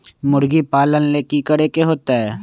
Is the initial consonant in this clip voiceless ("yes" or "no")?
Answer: no